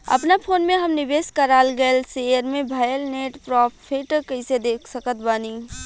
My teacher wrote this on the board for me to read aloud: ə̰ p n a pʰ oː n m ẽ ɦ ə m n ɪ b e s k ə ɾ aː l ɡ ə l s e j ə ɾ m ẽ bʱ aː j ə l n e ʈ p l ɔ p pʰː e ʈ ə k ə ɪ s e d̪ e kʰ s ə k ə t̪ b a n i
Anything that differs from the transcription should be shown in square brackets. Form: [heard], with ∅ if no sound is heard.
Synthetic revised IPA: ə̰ p n a pʰ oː n m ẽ ɦ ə m n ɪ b e s k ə ɾ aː l ɡ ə l s e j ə ɾ m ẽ bʱ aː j ə l n e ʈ p [ɾ] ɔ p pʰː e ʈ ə k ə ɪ s e d̪ e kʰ s ə k ə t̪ b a n i